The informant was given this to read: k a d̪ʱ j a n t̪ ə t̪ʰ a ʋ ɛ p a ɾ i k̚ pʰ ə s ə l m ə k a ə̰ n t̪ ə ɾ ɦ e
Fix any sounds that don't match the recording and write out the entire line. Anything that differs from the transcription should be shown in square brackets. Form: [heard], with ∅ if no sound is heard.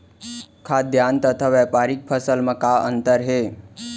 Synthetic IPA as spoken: [kʰ] a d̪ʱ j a n t̪ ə t̪ʰ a ʋ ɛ p a ɾ i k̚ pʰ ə s ə l m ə k a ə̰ n t̪ ə ɾ ɦ e